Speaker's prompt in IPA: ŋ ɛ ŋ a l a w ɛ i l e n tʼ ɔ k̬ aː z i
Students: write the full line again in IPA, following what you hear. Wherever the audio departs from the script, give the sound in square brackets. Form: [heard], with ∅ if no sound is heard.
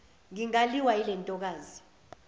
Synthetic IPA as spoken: ŋ [i] ŋ a l [i] w [a] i l [ɛ] n tʼ ɔ k̬ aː z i